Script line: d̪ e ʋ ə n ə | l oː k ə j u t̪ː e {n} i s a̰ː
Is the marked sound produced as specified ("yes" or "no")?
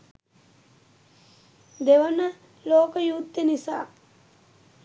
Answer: yes